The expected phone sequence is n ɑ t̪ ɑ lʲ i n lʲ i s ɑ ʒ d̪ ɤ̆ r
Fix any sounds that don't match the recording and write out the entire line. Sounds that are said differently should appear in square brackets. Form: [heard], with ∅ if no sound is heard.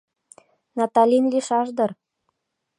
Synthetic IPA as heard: n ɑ t̪ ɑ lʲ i n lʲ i [ʃ] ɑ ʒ d̪ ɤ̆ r